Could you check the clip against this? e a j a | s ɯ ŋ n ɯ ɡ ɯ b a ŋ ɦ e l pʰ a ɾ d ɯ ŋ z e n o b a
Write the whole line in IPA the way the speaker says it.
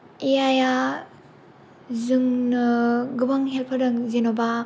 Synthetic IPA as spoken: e a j a | z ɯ ŋ n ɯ ɡ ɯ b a ŋ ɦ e l pʰ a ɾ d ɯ ŋ z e n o b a